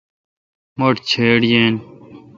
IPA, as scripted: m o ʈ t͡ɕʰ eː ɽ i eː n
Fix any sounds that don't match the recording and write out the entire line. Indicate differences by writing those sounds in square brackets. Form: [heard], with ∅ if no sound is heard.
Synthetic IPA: m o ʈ t͡ɕʰ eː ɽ [j] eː n